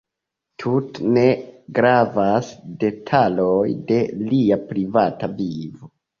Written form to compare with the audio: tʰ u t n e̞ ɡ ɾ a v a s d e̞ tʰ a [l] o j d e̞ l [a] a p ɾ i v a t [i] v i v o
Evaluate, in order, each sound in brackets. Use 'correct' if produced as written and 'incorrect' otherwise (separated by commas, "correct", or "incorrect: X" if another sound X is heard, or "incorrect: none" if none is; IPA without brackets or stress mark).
correct, incorrect: i, incorrect: a